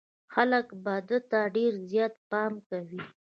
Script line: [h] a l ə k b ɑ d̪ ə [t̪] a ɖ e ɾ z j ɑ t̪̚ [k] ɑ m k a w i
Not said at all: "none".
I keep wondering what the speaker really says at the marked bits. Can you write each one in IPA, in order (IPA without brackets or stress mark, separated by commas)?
x, t̪, p